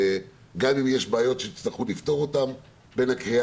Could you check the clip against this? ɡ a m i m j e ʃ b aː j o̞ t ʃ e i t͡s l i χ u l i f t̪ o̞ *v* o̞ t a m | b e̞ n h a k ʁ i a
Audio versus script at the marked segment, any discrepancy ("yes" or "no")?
yes